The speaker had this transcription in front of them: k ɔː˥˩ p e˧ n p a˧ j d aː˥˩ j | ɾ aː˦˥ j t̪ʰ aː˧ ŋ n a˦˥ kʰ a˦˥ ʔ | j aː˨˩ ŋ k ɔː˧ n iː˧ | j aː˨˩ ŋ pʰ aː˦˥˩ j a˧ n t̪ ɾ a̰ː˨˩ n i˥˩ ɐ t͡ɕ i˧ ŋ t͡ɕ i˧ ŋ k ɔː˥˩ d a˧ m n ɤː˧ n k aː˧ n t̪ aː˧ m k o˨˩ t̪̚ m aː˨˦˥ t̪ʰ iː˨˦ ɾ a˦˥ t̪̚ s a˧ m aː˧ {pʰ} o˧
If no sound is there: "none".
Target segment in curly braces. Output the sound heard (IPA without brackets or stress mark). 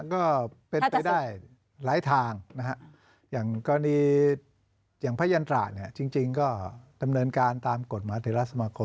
kʰ